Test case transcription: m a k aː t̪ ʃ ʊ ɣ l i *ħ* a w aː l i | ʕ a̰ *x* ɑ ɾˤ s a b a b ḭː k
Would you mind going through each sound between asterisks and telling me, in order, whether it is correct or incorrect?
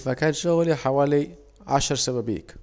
correct, incorrect

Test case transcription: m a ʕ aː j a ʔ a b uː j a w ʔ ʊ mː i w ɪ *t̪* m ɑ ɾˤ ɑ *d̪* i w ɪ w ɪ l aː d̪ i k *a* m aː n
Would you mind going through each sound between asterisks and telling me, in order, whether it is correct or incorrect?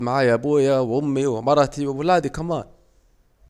incorrect, incorrect, correct

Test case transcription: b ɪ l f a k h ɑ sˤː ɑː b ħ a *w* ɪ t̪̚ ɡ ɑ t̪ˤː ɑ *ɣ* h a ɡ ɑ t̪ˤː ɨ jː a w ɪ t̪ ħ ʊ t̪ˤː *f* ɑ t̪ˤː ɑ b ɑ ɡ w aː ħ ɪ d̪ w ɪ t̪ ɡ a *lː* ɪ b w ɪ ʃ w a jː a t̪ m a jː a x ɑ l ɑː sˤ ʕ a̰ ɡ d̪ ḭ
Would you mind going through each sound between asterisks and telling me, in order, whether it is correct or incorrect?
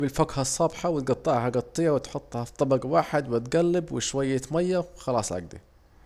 correct, incorrect, incorrect, correct

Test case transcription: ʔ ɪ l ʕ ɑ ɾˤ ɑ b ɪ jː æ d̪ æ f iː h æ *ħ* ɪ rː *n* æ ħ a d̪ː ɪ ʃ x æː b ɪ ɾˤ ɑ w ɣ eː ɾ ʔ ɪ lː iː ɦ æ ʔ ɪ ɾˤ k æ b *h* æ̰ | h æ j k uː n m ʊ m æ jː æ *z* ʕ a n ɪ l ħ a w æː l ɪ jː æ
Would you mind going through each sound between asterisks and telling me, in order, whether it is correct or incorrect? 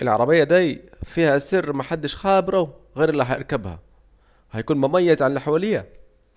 incorrect, incorrect, correct, correct

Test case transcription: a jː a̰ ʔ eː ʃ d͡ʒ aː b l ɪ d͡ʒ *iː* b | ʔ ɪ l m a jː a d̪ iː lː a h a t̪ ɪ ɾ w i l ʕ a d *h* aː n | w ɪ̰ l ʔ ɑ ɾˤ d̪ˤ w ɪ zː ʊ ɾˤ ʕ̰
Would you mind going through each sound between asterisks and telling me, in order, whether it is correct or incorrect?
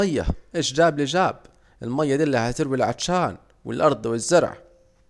incorrect, incorrect

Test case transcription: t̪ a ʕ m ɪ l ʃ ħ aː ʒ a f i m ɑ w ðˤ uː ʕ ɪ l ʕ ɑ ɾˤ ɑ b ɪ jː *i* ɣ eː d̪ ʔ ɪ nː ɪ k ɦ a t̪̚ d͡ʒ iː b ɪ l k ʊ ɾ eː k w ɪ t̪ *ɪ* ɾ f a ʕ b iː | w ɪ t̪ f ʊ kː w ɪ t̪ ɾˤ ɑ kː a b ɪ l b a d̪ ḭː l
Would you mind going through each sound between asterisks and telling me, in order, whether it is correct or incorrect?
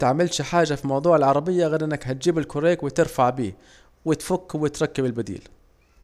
incorrect, correct

